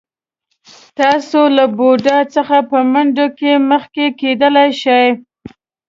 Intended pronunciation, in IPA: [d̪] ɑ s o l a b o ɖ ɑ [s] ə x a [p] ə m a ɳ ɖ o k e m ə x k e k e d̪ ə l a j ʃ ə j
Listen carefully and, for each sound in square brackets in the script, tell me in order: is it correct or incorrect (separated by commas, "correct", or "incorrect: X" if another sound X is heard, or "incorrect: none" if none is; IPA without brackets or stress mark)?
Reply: incorrect: t̪, incorrect: t͡s, correct